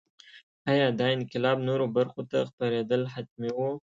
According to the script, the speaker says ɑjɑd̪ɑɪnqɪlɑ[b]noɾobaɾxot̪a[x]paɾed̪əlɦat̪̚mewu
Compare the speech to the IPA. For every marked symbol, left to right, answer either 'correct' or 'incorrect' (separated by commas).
correct, correct